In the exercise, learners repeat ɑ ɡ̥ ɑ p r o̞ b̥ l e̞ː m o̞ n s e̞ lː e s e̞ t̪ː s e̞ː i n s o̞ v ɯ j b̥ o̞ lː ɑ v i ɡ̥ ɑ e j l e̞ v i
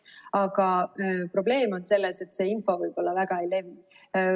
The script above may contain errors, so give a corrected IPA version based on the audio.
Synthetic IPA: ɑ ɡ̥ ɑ p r o̞ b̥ l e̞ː m o̞ n s e̞ lː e s e̞ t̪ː s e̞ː i n f o̞ v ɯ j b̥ o̞ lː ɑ v æ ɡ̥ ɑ e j l e̞ v i